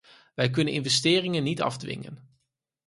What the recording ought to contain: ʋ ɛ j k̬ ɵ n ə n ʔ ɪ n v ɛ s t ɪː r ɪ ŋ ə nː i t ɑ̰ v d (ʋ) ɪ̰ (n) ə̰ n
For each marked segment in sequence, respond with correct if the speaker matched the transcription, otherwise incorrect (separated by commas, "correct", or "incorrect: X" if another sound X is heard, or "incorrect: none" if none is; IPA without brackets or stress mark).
correct, incorrect: ŋ